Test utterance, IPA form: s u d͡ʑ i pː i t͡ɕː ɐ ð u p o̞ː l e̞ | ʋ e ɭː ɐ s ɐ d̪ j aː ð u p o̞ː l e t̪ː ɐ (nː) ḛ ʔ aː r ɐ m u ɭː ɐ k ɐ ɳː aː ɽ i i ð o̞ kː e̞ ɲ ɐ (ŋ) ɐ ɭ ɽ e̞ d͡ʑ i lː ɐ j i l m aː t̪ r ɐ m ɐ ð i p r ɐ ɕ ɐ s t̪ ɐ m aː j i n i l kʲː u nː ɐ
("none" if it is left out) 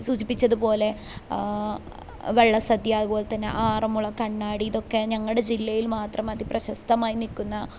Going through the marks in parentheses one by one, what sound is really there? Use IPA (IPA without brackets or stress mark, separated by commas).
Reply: nː, ŋː